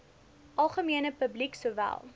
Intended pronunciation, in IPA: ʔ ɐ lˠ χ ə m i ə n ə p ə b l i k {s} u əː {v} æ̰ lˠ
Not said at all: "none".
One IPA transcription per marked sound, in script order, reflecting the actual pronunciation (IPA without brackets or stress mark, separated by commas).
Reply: s, v